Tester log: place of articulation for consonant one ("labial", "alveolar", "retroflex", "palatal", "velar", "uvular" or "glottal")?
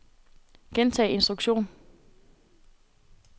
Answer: velar